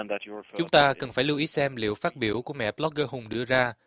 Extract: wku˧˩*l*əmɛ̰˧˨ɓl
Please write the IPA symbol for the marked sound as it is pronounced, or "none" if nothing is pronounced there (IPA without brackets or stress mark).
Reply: none